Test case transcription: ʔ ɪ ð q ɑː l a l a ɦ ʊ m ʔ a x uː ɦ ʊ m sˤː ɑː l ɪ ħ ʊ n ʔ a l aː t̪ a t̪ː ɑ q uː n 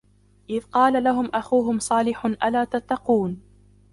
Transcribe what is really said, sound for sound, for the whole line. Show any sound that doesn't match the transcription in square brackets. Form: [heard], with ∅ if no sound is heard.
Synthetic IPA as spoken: ʔ ɪ ð q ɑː l a l a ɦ ʊ m ʔ a x uː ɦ ʊ m [sˤ] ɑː l ɪ ħ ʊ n ʔ a l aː t̪ a t̪ː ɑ q uː n